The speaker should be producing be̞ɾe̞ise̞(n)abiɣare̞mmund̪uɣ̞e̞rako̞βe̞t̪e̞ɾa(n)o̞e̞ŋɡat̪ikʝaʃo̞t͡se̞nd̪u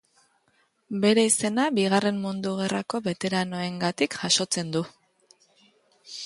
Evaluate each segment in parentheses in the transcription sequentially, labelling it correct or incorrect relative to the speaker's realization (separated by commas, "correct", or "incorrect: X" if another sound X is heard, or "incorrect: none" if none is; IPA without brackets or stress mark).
correct, correct